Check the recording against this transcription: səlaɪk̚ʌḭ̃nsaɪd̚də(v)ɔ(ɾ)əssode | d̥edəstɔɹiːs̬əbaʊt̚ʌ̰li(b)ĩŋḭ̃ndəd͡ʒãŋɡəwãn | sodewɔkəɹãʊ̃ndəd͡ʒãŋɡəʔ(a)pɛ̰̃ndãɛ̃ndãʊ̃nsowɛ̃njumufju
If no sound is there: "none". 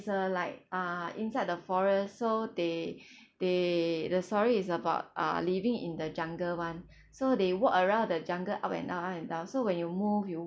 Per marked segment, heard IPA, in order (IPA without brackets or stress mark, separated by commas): f, ɹ, v, a